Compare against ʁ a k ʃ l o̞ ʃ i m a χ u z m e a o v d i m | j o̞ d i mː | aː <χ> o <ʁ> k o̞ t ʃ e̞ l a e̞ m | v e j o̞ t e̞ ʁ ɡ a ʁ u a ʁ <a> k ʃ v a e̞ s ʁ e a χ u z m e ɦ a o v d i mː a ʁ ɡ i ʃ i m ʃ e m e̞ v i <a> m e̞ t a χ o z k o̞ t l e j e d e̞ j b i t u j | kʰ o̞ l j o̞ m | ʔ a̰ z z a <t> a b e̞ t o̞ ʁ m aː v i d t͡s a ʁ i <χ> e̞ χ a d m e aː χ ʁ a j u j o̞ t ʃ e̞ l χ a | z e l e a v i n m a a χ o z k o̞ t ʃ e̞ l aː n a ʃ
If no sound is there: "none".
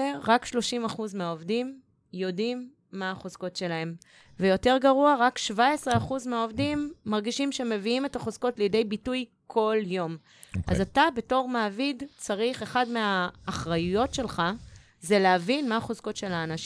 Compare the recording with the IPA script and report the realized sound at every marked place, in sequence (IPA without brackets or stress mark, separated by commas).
χ, z, a, i, t, χ